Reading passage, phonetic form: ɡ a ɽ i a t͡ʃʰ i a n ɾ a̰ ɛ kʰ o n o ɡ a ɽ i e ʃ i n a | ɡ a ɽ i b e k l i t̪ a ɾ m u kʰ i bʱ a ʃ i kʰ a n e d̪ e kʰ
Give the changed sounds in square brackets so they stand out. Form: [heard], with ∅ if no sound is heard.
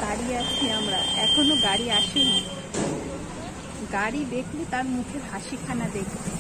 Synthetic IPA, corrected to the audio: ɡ a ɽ i a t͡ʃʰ i a [m] ɾ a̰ ɛ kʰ o n o ɡ a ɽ i [a] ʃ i n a | ɡ a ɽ i b e k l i t̪ a ɾ m u kʰ [e] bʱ a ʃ i kʰ a n [a] d̪ e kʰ